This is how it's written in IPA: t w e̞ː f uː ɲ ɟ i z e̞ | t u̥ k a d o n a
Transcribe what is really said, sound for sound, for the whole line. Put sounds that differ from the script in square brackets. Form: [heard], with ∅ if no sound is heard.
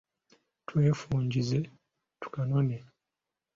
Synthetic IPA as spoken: t w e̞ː f uː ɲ ɟ i z e̞ | t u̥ k a [n] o n [e]